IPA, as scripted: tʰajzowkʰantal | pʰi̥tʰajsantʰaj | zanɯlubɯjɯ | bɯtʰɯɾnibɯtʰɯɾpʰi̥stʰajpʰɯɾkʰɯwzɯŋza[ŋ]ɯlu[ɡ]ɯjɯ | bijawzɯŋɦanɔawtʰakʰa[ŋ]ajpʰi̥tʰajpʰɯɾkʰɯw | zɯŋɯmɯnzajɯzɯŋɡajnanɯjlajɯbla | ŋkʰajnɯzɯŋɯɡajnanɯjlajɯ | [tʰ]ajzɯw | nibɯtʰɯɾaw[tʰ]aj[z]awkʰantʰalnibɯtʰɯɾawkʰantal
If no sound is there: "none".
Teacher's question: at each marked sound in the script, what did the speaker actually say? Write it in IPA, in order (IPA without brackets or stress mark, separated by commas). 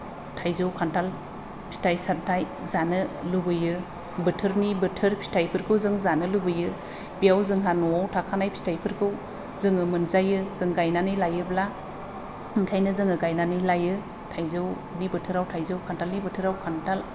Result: n, b, n, tʰ, tʰ, z